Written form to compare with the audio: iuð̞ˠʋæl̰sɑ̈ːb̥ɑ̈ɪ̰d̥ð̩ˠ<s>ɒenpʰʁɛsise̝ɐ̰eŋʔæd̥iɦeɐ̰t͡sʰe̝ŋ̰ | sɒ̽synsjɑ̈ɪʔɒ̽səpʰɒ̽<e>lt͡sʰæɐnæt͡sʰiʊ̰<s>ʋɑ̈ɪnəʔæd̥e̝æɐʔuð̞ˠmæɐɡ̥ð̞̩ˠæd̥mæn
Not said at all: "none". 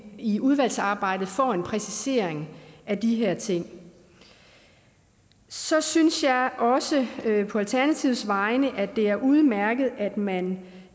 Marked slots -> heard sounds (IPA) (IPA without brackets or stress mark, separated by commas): f, æ, s